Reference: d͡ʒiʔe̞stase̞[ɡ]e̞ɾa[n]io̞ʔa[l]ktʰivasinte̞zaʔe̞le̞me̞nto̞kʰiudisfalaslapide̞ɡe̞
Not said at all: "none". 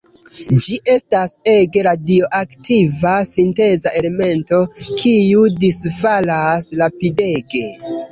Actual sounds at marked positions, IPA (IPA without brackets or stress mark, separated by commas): ɡ, d, none